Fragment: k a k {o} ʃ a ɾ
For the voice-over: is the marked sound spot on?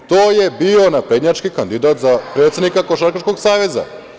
yes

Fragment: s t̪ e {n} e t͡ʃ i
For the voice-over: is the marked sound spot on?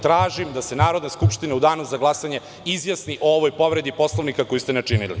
yes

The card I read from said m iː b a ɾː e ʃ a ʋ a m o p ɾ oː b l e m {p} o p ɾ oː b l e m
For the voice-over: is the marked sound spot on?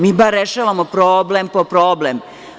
yes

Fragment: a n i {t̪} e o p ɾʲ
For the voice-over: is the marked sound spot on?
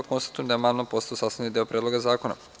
no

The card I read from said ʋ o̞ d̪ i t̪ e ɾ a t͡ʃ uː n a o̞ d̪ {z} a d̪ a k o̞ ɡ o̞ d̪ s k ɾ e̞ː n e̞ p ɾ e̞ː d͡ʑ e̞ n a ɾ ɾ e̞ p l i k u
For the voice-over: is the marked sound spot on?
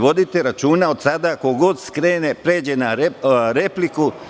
no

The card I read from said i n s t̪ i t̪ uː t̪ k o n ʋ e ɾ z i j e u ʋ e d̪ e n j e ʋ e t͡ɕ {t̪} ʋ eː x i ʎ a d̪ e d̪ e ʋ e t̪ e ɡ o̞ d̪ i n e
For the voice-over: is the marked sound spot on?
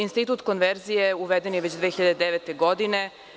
no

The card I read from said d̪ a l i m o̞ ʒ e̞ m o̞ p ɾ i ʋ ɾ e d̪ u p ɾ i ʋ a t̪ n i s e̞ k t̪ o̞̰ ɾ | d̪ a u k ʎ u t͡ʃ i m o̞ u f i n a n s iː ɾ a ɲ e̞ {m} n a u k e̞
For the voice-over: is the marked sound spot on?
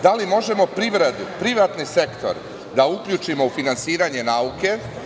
no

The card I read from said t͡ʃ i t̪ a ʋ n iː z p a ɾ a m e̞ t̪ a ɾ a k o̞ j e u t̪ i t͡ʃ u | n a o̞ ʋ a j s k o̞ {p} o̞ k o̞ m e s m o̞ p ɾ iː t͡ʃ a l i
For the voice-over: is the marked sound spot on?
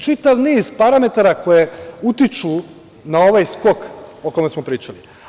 no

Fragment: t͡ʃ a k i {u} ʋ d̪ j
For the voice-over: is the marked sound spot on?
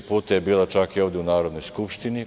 no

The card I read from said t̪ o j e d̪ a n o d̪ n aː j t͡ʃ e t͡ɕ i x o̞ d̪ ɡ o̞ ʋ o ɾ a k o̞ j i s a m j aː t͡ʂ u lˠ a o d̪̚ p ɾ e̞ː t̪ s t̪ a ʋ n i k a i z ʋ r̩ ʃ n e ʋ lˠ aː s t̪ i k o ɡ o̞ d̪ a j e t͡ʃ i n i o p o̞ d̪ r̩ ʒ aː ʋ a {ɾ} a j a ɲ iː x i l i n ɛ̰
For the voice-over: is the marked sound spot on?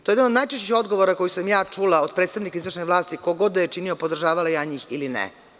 no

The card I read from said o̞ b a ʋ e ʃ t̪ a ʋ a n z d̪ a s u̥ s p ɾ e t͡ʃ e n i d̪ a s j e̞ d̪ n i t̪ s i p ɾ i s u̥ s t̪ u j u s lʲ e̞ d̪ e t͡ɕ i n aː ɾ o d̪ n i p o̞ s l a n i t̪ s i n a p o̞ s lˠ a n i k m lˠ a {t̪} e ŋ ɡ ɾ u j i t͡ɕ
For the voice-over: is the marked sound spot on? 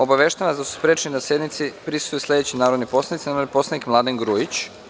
no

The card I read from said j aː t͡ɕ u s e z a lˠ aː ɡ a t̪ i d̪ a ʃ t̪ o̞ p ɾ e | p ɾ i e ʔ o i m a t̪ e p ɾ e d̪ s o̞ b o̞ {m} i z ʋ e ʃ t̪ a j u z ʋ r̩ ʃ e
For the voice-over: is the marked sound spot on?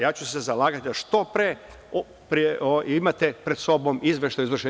yes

